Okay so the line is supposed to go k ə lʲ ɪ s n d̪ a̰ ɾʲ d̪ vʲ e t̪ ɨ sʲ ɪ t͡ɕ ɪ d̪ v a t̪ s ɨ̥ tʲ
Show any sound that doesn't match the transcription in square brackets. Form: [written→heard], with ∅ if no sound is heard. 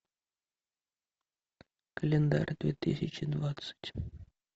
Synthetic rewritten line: k ə lʲ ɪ [s→∅] n d̪ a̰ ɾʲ d̪ vʲ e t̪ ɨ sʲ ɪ t͡ɕ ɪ d̪ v a t̪ s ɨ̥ tʲ